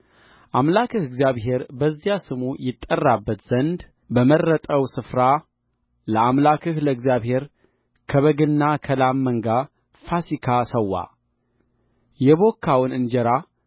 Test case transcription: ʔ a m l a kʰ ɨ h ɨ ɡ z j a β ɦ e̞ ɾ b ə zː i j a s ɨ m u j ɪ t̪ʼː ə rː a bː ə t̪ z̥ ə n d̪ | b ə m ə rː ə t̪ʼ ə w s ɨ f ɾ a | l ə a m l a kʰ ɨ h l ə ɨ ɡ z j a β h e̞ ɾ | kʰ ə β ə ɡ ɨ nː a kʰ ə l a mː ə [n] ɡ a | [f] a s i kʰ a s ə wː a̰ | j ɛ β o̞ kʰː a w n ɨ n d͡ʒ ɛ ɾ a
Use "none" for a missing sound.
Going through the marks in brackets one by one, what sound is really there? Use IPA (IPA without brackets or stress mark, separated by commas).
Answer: ŋ, f